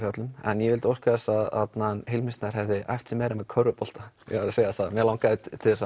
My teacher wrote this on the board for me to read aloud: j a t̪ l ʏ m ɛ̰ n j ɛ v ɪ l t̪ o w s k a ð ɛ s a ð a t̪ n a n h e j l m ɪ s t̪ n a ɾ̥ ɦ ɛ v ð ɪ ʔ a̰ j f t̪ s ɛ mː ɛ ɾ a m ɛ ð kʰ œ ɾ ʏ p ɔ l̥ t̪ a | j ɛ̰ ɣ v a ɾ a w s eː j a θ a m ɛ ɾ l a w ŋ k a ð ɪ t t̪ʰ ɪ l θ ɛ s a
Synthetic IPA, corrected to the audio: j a t̪ l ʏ m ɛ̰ n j ɛ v ɪ l t̪ o w s k a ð ɛ s a ð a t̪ n a n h e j l m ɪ s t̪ n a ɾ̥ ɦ ɛ v ð ɪ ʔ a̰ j f t̪ s ɛ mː ɛ ɾ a m ɛ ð kʰ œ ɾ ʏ p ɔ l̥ t̪ a | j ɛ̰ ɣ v a ɾ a s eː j a θ a m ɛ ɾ l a w ŋ k a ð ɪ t t̪ʰ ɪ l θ ɛ s a